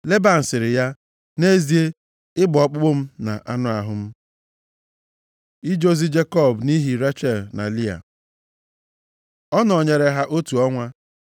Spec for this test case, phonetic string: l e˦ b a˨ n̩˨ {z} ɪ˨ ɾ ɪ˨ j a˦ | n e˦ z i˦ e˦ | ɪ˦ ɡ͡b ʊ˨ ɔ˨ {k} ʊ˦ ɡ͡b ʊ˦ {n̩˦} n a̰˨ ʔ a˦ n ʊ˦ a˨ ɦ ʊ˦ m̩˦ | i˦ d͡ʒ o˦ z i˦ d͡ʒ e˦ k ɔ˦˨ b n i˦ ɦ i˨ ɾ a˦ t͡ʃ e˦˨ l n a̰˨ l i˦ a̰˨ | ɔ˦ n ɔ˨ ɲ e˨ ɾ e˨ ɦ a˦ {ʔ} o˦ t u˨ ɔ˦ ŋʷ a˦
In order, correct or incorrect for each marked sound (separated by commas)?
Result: incorrect, incorrect, incorrect, correct